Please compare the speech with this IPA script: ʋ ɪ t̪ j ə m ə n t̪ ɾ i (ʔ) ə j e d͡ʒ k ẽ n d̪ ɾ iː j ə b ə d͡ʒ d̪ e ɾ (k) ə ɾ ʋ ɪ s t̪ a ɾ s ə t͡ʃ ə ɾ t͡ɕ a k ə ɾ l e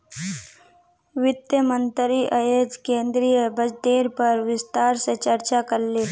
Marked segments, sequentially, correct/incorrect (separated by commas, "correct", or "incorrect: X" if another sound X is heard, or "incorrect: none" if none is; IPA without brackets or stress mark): correct, incorrect: p